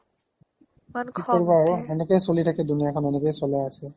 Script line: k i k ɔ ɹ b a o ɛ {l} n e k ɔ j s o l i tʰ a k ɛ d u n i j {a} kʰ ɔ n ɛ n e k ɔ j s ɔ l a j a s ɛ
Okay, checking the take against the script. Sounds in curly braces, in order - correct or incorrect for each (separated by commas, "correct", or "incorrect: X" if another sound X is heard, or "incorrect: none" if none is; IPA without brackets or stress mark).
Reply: incorrect: none, correct